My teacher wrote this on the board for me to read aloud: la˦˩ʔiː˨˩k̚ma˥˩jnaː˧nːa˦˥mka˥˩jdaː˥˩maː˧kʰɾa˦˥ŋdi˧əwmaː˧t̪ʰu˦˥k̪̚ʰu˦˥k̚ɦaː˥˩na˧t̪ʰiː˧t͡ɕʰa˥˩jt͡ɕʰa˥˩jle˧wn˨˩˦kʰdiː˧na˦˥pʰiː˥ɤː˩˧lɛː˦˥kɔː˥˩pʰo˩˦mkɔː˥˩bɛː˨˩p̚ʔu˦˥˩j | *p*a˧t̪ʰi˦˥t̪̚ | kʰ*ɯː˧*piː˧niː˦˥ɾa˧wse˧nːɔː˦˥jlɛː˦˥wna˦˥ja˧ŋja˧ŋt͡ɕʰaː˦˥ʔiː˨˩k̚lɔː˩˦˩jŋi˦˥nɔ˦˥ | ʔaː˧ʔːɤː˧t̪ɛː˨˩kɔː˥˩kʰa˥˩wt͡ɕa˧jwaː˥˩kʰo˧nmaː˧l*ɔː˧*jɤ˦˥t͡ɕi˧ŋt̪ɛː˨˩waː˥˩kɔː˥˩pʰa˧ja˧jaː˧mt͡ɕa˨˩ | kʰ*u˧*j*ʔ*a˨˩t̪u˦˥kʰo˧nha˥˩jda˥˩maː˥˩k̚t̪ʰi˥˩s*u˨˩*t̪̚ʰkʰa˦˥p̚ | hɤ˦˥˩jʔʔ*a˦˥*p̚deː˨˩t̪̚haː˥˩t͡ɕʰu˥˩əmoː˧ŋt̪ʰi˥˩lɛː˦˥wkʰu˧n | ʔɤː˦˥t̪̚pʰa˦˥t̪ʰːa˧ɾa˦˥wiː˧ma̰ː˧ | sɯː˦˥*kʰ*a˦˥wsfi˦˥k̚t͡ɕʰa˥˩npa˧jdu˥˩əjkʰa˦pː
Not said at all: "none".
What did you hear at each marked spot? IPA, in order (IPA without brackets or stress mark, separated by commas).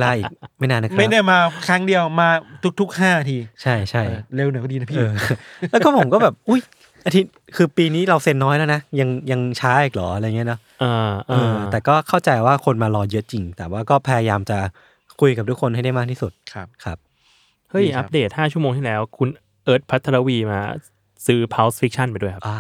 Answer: ʔ, ɯː˧, ɔː˧, u˧, k, u˨˩, a˦˥, pʰ